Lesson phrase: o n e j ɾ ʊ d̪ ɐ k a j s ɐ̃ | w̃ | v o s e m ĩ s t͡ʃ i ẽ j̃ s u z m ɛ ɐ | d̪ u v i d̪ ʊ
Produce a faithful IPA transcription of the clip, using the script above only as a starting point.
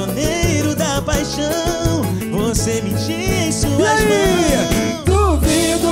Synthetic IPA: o n e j ɾ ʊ d̪ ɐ p a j ʃ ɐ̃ | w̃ | v o s e m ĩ t͡ʃ i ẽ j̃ s u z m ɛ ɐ | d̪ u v i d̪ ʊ